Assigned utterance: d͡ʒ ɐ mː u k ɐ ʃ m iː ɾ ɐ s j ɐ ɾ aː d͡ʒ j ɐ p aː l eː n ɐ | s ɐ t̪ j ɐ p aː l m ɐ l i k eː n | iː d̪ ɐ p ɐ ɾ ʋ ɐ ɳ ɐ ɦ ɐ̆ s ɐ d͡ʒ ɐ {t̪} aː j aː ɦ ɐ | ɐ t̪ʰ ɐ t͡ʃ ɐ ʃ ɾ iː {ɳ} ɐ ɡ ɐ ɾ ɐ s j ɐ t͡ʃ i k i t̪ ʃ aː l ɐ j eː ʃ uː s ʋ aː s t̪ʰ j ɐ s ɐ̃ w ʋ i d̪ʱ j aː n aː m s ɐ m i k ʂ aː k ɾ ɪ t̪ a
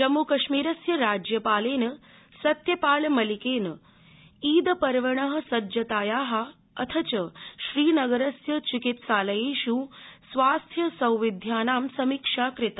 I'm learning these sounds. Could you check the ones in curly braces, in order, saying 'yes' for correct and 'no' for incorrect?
yes, no

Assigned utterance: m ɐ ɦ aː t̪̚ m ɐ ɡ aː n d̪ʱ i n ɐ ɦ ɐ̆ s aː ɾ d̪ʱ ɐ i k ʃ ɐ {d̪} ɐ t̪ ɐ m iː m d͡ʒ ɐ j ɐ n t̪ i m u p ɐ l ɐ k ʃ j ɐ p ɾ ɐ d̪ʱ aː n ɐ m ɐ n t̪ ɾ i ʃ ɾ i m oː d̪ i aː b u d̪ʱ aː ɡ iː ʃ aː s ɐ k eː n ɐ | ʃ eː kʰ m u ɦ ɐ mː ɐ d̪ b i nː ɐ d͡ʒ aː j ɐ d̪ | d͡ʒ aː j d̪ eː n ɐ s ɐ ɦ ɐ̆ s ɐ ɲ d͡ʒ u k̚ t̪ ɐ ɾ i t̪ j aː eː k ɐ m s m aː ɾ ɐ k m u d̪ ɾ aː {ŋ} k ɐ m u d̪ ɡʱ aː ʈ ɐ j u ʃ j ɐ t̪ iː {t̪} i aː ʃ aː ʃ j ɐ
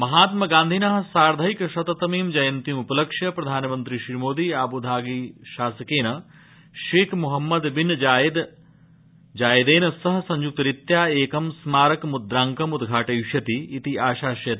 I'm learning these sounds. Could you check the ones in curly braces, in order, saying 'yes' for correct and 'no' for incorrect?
no, yes, yes

